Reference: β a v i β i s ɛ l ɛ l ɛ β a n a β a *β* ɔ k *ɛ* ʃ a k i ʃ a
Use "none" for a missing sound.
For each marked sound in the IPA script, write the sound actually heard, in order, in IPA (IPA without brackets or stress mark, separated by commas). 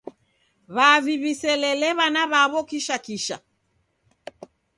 β, i